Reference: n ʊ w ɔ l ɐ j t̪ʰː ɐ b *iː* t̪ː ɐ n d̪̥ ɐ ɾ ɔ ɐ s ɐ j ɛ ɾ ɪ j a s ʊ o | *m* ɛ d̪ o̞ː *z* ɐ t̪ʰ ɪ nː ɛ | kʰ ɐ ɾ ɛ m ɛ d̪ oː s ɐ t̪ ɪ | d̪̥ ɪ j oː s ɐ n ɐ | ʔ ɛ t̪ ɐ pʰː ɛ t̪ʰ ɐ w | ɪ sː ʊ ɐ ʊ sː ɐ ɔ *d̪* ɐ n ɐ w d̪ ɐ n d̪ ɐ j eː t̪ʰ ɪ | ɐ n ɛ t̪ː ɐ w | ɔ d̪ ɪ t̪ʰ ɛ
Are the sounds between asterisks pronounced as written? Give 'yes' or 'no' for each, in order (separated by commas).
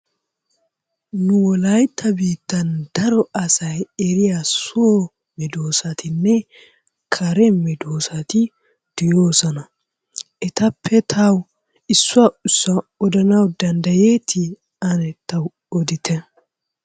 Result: yes, yes, no, yes